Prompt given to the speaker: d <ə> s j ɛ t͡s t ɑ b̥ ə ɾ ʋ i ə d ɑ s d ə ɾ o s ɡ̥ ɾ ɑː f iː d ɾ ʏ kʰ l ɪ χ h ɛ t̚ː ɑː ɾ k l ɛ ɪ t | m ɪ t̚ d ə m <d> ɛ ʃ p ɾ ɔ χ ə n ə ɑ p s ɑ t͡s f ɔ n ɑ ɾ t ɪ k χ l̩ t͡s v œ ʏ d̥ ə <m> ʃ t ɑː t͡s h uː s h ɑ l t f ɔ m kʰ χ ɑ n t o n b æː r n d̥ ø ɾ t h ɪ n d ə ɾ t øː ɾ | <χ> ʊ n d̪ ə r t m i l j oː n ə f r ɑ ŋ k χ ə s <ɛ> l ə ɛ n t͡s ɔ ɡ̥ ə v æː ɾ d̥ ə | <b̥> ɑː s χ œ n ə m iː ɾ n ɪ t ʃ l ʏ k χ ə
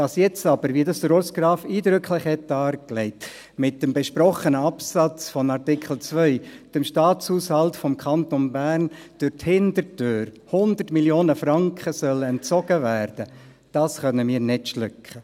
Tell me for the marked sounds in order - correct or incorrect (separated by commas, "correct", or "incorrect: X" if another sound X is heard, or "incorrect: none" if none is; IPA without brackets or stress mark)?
incorrect: ɑ, incorrect: b, correct, incorrect: h, incorrect: œ, incorrect: d̥